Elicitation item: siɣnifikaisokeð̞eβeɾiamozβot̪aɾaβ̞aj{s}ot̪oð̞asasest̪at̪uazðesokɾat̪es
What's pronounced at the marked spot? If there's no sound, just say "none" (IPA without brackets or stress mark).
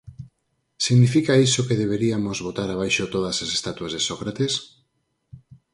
ʃ